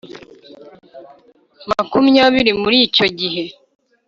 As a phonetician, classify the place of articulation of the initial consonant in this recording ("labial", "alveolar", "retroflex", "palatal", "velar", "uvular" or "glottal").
labial